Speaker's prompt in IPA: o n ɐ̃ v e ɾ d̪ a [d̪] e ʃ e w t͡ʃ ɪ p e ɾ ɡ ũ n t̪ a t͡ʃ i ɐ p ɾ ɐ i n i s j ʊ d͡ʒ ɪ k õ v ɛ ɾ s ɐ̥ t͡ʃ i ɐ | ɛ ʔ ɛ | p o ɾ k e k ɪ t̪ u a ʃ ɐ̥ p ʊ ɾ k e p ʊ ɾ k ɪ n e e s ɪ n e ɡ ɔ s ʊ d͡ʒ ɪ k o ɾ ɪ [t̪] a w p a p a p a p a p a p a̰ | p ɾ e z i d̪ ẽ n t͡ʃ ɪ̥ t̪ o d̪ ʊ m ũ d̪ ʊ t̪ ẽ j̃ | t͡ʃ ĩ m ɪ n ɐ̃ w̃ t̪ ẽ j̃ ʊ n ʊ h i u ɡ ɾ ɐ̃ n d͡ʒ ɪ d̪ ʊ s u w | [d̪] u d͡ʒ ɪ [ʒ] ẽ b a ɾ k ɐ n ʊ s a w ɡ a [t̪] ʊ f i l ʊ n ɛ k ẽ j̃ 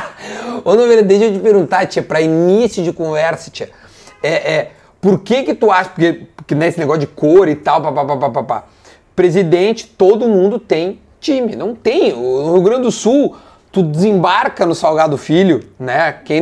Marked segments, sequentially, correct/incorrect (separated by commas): correct, correct, incorrect, incorrect, incorrect